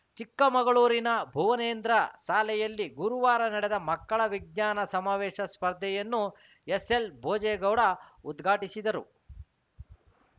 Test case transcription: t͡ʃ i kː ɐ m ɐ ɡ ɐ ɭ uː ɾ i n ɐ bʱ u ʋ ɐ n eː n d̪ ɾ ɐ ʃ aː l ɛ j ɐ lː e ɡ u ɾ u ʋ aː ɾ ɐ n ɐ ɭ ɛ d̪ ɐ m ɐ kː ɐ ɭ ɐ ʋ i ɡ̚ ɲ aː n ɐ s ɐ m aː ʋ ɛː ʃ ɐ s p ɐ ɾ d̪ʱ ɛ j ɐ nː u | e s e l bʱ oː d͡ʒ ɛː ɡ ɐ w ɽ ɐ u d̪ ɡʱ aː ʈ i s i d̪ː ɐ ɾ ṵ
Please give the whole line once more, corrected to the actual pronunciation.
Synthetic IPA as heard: t͡ʃ i kː ɐ m ɐ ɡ ɐ ɭ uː ɾ i n ɐ bʱ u ʋ ɐ n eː n d̪ ɾ ɐ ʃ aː l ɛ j ɐ lː i ɡ u ɾ u ʋ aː ɾ ɐ n ɐ ɽ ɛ d̪ ɐ m ɐ kː ɐ ɭ ɐ ʋ i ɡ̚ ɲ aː n ɐ s ɐ m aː ʋ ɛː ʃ ɐ s p ɐ ɾ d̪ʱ ɛ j ɐ nː u | e s e l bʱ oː d͡ʒ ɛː ɡ ɐ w ɽ ɐ u d̪ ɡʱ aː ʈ i s i d̪ ɐ ɾ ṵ